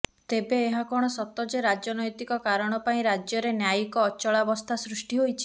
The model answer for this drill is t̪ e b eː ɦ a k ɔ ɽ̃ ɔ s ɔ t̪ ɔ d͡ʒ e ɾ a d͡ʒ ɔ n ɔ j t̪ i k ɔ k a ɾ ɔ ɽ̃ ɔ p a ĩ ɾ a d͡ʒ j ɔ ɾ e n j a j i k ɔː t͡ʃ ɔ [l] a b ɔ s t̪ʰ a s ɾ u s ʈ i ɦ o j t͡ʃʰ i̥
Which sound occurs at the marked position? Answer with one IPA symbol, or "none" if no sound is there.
ɭ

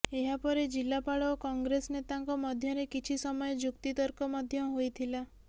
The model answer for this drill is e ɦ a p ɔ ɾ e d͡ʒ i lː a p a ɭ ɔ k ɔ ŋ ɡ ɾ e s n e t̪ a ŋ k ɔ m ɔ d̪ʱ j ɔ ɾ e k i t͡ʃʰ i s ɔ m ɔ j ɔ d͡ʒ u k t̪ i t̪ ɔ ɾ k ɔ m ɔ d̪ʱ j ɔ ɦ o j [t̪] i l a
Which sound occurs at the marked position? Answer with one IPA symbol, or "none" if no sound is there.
t̪ʰ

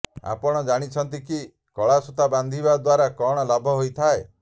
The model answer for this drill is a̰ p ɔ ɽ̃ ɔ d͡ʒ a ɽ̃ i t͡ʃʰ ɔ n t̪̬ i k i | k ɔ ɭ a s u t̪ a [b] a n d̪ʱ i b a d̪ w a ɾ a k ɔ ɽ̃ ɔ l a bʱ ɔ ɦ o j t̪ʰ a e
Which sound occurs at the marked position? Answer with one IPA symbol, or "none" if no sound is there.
b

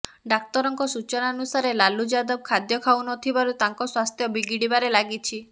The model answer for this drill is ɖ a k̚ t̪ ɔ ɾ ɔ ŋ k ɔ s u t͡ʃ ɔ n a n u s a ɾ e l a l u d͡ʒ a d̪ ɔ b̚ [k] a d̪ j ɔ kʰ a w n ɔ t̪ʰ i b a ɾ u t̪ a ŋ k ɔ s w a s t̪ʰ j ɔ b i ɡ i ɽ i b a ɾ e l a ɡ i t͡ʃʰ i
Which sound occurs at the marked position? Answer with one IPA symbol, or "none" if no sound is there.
kʰ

